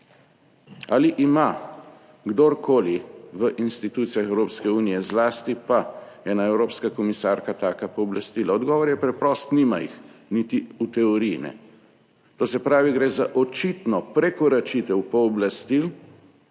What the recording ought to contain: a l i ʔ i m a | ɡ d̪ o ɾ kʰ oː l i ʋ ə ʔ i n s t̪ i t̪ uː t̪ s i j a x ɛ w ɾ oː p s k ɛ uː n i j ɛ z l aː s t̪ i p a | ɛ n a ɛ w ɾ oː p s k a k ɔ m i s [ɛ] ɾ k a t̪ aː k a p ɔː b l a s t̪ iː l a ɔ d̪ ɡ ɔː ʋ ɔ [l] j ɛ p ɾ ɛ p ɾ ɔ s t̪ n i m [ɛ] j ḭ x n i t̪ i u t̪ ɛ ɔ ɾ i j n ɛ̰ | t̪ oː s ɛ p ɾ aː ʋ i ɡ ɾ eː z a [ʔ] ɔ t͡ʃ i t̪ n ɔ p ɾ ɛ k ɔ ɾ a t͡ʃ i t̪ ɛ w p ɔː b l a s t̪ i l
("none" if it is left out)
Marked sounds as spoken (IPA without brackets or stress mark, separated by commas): a, ɾ, a, ʔ